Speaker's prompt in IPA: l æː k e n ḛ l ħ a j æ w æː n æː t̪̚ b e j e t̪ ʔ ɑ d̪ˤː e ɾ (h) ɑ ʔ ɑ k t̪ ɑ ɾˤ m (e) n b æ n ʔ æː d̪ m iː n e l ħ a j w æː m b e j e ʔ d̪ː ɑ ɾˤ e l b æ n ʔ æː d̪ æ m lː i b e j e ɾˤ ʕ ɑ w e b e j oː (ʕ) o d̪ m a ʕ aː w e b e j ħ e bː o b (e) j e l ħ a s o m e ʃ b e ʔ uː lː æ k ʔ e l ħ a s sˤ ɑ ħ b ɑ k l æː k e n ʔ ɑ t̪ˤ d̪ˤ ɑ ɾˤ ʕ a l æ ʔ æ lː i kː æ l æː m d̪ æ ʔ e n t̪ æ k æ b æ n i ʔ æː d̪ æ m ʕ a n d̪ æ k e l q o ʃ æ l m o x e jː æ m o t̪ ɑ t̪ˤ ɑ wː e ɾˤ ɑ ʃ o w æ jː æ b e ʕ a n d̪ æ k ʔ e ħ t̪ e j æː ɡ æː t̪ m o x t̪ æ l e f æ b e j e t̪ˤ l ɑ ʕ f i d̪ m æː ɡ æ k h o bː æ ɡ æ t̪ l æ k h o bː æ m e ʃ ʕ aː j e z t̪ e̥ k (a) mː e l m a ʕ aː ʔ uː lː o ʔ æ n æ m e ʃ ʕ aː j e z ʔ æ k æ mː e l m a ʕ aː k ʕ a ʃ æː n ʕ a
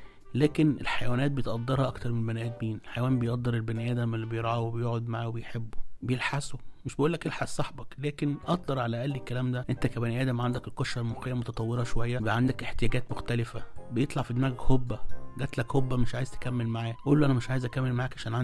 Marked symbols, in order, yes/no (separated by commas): yes, yes, yes, yes, no